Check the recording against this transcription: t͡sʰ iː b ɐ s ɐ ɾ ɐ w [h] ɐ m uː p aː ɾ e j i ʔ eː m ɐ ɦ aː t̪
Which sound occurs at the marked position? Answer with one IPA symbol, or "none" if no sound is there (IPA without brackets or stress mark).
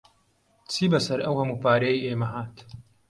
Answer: h